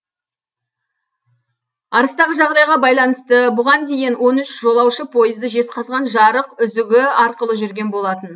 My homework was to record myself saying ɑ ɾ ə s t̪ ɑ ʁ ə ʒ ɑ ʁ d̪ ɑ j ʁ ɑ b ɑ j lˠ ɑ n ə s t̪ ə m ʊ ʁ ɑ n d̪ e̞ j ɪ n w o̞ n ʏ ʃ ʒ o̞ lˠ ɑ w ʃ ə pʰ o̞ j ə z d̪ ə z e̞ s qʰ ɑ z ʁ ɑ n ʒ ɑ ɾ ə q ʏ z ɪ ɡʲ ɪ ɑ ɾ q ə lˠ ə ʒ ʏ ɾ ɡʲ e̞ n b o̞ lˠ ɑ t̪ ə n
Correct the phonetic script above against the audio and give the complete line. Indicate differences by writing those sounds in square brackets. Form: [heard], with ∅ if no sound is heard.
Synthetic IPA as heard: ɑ ɾ ə s t̪ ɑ ʁ ə ʒ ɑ ʁ d̪ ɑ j ʁ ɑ b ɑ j lˠ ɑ n ə s t̪ ə [b] ʊ ʁ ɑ n d̪ e̞ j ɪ n w o̞ n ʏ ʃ ʒ o̞ lˠ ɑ w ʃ ə pʰ o̞ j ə z d̪ ə [ʒ] e̞ s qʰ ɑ z ʁ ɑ n ʒ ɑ ɾ ə q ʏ z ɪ ɡʲ ɪ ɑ ɾ q ə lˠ ə ʒ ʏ ɾ ɡʲ e̞ n b o̞ lˠ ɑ t̪ ə n